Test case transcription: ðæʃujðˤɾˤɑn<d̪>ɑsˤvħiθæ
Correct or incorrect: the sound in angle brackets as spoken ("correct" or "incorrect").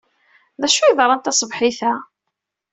incorrect